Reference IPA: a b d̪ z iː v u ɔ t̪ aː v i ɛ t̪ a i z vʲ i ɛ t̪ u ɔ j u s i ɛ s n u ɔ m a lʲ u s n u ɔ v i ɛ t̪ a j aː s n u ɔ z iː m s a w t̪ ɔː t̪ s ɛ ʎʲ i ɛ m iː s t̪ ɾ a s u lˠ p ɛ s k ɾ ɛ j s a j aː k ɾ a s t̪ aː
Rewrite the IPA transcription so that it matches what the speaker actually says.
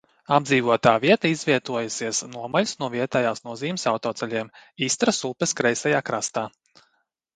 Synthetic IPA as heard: a b d̪ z iː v u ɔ t̪ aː v i ɛ t̪ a i z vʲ i ɛ t̪ u ɔ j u s i ɛ s n u ɔ m a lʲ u s n u ɔ v i ɛ t̪ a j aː s n u ɔ z iː m s a w t̪ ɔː t̪ s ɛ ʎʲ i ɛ m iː s t̪ ɾ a s u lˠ p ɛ s k ɾ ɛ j s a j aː k ɾ a s t̪ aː